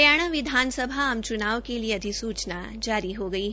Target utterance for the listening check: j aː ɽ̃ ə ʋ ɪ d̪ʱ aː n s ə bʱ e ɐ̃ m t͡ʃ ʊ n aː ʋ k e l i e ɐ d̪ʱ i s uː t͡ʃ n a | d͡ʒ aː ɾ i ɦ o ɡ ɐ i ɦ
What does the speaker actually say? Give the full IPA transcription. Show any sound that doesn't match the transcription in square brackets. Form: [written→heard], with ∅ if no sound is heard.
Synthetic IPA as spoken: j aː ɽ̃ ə ʋ ɪ d̪ʱ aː n s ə bʱ [e→a] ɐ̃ m t͡ʃ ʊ n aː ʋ k e l i e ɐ d̪ʱ i s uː t͡ʃ n a | d͡ʒ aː ɾ i ɦ o ɡ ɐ i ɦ